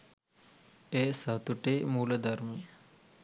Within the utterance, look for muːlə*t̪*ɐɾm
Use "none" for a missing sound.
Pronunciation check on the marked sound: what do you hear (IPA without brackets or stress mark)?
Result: d̪